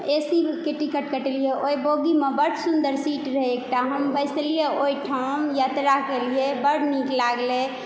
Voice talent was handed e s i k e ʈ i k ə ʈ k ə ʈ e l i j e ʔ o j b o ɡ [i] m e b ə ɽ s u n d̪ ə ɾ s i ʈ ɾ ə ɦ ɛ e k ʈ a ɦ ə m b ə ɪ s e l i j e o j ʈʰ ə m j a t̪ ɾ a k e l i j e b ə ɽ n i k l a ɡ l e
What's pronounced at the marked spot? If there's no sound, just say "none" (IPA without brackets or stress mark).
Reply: i